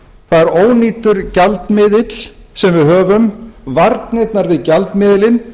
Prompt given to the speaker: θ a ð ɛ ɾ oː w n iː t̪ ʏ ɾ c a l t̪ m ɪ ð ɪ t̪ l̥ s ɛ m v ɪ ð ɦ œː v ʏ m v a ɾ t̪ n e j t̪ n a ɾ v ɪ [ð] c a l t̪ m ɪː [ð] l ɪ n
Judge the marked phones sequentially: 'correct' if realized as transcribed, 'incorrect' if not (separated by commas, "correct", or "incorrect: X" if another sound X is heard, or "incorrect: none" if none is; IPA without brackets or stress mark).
correct, correct